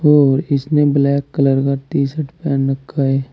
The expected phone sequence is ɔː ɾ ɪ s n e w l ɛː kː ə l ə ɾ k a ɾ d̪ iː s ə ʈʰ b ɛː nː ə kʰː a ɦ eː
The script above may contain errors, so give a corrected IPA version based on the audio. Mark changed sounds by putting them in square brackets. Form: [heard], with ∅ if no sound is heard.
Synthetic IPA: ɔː ɾ ɪ s n e [b] l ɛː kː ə l ə ɾ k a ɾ [t̪] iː s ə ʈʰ [p] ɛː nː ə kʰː a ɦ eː